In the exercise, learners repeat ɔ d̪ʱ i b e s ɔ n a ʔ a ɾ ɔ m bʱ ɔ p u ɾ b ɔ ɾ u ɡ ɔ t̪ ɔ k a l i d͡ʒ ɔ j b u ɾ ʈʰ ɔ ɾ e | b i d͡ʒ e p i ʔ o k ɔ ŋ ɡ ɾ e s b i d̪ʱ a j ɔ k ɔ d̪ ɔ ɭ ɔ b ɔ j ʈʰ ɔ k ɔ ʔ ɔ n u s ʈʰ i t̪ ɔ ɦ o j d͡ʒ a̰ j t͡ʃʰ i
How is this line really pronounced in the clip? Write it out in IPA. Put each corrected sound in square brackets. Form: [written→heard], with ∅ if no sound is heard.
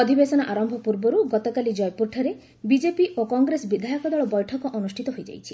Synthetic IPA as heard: ɔ d̪ʱ i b e s ɔ n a ʔ a ɾ ɔ m bʱ ɔ p u ɾ b ɔ ɾ u ɡ ɔ t̪ ɔ k a l i d͡ʒ ɔ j [b→p] u ɾ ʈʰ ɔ ɾ e | b i d͡ʒ e p i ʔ o k ɔ ŋ ɡ ɾ e s b i d̪ʱ a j ɔ k ɔ d̪ ɔ ɭ ɔ b ɔ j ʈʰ ɔ k ɔ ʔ ɔ n u s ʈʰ i t̪ ɔ ɦ o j d͡ʒ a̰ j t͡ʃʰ i